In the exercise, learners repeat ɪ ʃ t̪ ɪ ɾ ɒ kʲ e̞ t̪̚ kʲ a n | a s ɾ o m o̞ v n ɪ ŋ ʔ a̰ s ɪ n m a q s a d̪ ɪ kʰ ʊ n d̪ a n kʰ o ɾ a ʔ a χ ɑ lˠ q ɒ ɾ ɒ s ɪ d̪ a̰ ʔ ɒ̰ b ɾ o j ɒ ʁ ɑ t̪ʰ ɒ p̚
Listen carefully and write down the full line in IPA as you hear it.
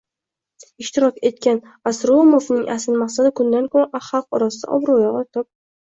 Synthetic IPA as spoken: ɪ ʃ t̪ ɪ ɾ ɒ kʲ e̞ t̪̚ kʲ a n | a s ɾ o m o̞ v n ɪ ŋ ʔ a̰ s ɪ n m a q s a d̪ ɪ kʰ ʊ n d̪ a n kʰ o ɾ a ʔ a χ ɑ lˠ q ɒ ɾ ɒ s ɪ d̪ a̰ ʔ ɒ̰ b ɾ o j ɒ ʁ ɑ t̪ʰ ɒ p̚